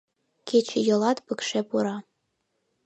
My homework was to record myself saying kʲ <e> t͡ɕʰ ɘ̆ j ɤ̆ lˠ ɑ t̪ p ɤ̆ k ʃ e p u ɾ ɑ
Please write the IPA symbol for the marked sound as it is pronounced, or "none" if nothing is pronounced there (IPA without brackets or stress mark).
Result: e